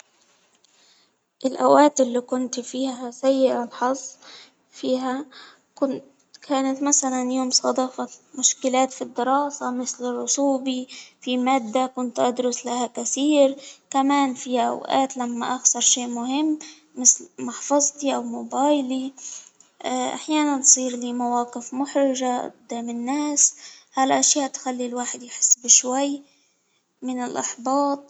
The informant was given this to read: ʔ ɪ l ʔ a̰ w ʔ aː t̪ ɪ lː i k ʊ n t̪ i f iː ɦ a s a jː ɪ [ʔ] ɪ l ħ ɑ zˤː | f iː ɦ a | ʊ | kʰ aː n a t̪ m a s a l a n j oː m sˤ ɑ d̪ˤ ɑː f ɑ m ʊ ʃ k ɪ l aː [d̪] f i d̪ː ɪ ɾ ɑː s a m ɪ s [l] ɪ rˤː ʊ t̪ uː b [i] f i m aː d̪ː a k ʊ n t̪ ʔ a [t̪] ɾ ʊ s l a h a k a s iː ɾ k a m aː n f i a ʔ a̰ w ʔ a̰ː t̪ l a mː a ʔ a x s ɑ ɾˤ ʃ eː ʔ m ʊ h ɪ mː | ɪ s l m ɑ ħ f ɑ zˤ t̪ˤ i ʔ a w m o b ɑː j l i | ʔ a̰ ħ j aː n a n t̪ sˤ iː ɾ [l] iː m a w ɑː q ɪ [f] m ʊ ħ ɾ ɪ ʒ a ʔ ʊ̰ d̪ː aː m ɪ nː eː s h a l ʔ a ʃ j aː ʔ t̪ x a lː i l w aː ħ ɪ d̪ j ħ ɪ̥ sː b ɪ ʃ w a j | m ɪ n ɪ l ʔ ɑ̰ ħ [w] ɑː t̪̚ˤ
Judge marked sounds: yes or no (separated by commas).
yes, no, yes, yes, no, yes, yes, no